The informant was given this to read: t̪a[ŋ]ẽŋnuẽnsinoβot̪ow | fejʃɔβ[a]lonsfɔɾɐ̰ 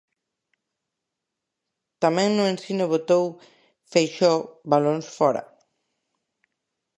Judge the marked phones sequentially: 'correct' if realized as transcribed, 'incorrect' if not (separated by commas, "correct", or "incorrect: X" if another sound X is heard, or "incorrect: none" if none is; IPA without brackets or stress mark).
incorrect: m, correct